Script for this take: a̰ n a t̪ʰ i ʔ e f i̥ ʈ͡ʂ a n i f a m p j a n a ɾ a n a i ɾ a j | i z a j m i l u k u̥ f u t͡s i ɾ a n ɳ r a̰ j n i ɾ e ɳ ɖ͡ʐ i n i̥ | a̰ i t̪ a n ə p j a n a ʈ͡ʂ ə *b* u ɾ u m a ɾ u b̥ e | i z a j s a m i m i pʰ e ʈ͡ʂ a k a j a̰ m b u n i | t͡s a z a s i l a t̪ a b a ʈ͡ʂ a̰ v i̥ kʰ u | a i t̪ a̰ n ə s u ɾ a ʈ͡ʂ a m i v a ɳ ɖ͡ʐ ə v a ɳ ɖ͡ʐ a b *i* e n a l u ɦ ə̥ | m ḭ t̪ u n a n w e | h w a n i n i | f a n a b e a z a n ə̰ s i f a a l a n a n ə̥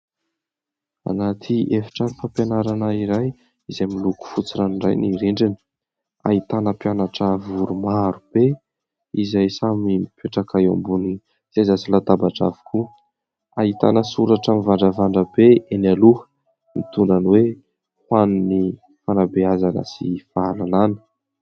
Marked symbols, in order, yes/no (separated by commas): no, no